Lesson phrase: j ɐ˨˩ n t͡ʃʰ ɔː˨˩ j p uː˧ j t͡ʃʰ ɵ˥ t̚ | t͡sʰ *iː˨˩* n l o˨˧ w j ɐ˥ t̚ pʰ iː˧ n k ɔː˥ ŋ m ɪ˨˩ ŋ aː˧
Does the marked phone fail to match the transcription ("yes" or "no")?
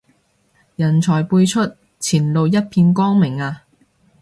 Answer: no